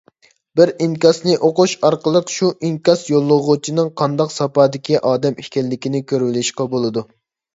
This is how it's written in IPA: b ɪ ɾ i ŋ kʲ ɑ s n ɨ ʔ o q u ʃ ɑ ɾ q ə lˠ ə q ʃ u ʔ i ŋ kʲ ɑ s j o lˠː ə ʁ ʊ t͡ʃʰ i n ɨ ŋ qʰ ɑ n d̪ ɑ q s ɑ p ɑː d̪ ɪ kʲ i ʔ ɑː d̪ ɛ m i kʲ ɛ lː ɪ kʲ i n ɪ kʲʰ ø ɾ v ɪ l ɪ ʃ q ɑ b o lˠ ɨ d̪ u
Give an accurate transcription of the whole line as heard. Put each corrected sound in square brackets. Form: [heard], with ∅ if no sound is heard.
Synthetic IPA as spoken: b ɪ ɾ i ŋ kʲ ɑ s n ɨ ʔ o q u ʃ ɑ ɾ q ə lˠ ə q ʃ u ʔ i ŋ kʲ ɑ s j o lˠː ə ʁ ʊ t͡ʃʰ i n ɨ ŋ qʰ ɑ n d̪ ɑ q s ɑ p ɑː d̪ ɪ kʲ i ʔ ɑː d̪ ɛ m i kʲ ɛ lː ɪ kʲ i n ɪ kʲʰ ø ɾ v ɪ l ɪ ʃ q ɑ b o lˠ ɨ d̪ u